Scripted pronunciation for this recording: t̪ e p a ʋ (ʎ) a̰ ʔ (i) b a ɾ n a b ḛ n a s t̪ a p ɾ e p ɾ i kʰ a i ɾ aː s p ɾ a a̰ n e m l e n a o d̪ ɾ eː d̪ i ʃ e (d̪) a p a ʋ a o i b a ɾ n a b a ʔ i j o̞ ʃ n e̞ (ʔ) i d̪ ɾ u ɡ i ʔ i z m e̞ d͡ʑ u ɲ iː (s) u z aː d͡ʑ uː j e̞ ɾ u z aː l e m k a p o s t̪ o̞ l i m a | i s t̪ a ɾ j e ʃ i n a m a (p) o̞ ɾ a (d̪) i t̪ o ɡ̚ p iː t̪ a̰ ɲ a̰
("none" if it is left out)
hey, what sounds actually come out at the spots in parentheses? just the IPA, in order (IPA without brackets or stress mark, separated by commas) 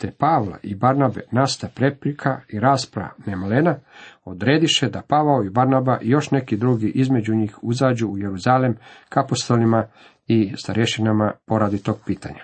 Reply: l, i, d̪, k, x, p, d̪